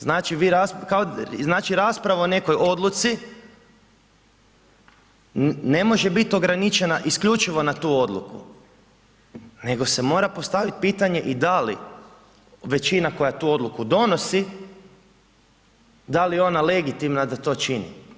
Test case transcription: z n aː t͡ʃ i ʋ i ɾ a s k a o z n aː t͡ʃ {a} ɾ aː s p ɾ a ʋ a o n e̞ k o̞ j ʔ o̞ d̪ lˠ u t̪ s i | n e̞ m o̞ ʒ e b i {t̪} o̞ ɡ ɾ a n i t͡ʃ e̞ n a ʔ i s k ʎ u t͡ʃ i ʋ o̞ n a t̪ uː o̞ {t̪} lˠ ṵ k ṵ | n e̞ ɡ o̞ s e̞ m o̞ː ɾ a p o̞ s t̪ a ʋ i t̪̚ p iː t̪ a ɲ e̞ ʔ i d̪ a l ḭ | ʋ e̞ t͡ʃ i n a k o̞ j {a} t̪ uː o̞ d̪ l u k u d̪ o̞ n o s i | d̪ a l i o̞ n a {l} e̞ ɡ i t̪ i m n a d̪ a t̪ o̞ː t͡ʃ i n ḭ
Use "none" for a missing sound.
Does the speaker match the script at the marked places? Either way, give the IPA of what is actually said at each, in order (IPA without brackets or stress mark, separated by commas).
i, t̪, d̪, a, l